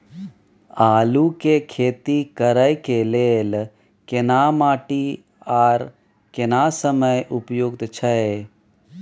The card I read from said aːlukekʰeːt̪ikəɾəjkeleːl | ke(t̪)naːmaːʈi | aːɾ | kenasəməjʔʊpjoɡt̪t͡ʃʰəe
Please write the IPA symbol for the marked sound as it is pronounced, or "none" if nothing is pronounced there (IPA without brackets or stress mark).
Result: none